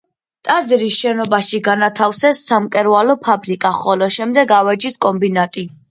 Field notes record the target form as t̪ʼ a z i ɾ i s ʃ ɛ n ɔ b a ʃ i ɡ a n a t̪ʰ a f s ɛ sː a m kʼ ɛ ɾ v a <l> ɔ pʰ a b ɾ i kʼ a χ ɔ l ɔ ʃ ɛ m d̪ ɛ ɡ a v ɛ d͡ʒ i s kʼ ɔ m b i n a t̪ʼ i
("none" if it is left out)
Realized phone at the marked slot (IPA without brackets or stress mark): l